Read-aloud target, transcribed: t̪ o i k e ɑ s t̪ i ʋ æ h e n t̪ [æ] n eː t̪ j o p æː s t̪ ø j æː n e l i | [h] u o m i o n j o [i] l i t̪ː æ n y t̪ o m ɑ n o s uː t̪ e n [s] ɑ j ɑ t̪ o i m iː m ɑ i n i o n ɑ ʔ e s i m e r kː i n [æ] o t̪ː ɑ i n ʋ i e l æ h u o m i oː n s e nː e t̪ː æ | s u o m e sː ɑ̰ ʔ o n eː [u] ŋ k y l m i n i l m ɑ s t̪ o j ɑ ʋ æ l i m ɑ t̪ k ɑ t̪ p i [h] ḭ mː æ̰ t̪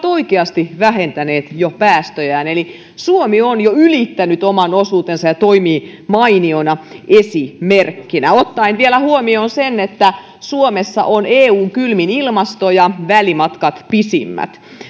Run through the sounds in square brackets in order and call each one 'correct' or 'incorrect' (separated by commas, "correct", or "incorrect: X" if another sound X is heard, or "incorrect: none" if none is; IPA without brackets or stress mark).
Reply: correct, incorrect: s, incorrect: y, correct, correct, incorrect: uː, incorrect: s